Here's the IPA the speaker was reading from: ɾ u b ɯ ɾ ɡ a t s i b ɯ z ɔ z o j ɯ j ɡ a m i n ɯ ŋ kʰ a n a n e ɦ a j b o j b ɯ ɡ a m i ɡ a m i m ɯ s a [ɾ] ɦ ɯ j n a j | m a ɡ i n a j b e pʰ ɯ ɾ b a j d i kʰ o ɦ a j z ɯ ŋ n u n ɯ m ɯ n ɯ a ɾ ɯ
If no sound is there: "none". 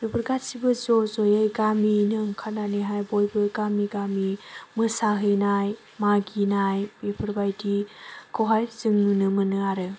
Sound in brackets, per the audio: none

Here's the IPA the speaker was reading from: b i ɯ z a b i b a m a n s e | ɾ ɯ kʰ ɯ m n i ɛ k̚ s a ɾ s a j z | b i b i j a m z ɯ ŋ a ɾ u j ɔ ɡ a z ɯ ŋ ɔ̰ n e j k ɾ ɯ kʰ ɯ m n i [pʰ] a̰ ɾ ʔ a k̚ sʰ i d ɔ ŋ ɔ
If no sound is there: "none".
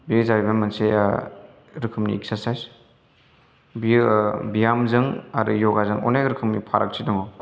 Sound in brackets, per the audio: pʰ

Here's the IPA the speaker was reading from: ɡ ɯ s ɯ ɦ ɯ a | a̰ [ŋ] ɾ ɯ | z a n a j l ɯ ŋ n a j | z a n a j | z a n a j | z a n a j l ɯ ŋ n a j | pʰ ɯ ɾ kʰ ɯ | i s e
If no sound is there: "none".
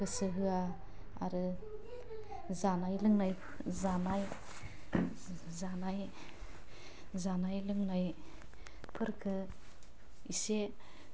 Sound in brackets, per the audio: none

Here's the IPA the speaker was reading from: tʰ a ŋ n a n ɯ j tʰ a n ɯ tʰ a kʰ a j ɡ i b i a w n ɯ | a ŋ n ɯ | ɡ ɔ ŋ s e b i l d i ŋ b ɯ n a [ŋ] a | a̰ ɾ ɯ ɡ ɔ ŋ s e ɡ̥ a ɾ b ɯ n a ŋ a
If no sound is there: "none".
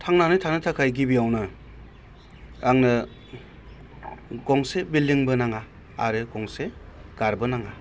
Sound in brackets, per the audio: ŋ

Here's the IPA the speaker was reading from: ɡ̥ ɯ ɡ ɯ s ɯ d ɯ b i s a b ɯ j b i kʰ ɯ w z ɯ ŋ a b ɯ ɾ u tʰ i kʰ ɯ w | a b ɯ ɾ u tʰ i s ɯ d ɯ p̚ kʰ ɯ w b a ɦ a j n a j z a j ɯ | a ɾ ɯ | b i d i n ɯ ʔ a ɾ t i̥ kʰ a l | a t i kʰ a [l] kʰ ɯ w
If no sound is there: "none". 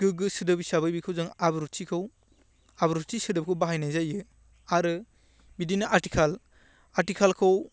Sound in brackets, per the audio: l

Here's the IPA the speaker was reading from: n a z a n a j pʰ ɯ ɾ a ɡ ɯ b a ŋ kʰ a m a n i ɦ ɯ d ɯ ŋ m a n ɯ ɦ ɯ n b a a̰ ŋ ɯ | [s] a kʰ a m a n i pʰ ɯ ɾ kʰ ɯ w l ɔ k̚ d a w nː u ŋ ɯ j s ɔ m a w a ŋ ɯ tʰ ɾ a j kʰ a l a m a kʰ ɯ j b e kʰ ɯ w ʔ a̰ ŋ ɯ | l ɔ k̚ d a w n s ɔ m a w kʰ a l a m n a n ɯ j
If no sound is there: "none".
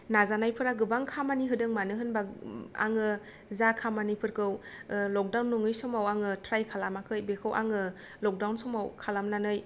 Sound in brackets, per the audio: z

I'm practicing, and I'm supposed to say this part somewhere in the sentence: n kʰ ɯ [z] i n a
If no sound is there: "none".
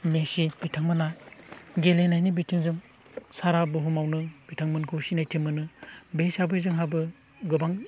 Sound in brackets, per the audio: s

